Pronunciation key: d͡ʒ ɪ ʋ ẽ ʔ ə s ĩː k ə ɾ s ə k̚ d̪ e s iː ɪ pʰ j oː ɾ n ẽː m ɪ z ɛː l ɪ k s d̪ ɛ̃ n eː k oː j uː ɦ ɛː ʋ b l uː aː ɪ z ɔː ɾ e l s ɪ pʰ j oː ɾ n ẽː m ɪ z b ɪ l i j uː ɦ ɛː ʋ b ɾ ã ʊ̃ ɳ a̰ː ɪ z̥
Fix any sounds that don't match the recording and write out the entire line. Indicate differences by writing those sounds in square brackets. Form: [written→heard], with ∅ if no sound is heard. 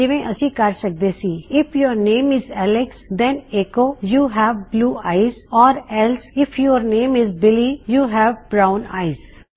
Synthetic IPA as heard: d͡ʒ ɪ ʋ ẽ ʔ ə s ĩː k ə ɾ s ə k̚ d̪ e s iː ɪ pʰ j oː ɾ n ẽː m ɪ z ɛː l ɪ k s d̪ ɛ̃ n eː k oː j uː ɦ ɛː ʋ b l uː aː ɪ z ɔː ɾ [e→ɛ] l s ɪ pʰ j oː ɾ n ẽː m ɪ z b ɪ l i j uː ɦ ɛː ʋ b ɾ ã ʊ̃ [ɳ→n] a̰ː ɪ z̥